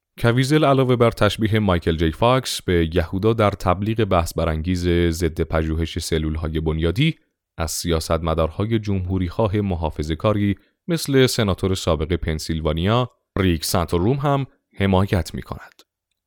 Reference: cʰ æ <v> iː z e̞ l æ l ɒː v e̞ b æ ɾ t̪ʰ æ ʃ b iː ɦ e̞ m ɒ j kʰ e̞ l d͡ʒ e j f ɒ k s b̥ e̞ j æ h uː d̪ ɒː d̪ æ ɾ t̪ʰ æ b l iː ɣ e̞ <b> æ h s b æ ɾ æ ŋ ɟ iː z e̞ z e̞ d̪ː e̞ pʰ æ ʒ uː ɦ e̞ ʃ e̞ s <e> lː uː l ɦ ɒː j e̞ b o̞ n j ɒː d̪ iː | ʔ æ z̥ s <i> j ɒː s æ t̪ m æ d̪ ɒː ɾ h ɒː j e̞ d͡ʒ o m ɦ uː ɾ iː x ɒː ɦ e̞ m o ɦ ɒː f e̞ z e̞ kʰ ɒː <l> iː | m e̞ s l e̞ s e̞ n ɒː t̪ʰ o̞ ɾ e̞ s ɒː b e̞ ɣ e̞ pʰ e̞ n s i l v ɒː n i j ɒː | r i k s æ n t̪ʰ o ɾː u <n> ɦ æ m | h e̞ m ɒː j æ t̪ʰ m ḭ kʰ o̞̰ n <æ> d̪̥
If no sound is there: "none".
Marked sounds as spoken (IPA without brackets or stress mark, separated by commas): v, b, e, i, ɾ, m, æ